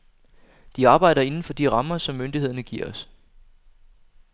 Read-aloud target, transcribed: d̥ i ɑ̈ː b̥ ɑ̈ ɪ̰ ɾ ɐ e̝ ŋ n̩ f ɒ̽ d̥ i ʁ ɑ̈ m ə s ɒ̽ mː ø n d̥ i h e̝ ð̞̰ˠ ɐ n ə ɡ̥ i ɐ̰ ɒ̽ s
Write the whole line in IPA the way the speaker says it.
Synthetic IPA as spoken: d̥ i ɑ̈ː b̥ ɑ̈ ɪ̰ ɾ ɐ e̝ n n̩ f ɒ̽ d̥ i ʁ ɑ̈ m ɐ s ɒ̽ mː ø n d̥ i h e̝ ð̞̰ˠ ɐ n ə ɡ̥ i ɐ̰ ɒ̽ s